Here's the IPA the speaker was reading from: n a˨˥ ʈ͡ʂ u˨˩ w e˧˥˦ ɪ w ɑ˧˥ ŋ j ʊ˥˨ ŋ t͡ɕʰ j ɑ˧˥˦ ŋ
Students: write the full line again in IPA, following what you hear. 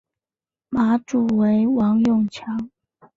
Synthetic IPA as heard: m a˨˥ ʈ͡ʂ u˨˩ w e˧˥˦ ɪ w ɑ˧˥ ŋ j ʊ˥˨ ŋ t͡ɕʰ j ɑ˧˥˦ ŋ